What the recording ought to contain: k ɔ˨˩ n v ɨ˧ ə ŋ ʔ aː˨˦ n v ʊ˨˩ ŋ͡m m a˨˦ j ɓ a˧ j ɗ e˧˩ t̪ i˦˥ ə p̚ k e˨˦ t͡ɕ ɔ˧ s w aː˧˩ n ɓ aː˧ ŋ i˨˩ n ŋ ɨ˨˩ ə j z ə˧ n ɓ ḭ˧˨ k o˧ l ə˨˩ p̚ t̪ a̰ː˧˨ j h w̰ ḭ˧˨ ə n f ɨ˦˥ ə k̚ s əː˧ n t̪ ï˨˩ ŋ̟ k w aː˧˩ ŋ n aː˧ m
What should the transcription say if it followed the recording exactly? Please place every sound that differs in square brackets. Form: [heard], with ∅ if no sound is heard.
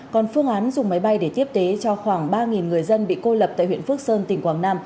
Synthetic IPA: k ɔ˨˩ n [f] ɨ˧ ə ŋ ʔ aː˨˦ n [z] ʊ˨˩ ŋ͡m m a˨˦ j ɓ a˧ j ɗ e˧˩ t̪ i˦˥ ə p̚ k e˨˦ t͡ɕ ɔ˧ [x] w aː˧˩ [ŋ] ɓ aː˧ ŋ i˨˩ n ŋ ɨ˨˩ ə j z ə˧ n ɓ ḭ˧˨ k o˧ l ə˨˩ p̚ t̪ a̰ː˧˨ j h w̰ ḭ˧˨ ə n f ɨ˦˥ ə k̚ s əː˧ n t̪ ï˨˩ ŋ̟ k w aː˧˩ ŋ n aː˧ m